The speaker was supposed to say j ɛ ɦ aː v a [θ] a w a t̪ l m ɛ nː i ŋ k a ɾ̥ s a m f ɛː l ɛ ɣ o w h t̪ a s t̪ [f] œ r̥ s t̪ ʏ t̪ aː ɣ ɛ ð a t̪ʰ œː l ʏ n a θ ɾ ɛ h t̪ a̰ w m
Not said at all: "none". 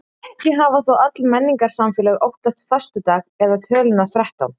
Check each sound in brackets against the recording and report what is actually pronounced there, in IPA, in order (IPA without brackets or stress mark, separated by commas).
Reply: θ, f